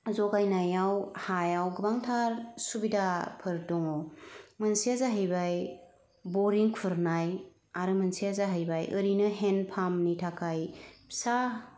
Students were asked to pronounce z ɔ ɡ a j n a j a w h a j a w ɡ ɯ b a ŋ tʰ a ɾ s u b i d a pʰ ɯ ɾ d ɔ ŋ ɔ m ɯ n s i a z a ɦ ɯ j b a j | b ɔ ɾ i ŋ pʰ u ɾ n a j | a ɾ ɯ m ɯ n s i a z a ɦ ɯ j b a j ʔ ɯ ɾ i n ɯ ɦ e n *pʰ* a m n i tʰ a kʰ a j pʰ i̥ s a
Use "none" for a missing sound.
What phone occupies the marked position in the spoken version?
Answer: pʰ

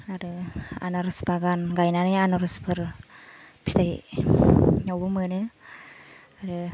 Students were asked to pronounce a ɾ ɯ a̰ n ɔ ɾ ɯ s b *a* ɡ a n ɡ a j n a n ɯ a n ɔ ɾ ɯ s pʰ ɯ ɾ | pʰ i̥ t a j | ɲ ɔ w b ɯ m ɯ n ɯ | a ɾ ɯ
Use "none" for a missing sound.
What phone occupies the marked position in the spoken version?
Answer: a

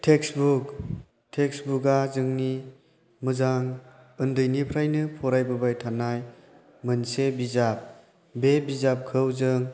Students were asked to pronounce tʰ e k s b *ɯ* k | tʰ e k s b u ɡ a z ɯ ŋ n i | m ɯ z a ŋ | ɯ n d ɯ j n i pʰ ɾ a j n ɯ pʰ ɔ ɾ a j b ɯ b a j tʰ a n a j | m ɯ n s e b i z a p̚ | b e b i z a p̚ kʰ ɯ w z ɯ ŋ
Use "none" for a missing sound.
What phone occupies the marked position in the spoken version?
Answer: u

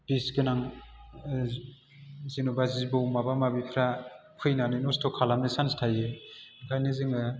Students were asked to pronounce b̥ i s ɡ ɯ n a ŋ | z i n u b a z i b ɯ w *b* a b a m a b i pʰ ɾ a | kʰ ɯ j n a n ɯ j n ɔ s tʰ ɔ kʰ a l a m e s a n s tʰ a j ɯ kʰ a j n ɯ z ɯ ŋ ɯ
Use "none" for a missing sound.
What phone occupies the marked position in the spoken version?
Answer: m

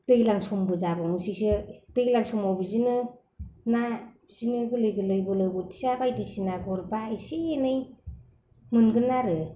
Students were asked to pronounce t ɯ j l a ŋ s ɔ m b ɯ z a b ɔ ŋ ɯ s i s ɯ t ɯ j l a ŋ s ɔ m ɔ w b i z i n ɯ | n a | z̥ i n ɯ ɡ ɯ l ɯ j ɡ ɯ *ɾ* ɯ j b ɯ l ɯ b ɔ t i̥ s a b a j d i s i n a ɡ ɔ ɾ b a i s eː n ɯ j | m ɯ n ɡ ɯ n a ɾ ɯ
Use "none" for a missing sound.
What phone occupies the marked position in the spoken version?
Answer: l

